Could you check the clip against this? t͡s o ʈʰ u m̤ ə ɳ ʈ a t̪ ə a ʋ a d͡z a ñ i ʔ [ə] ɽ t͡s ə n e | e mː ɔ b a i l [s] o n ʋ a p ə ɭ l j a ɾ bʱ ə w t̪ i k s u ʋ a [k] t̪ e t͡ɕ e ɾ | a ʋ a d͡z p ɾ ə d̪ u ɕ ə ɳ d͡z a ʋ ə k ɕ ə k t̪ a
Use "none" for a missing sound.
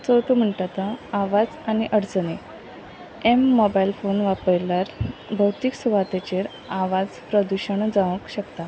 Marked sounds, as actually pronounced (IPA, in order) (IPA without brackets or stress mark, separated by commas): ə, f, none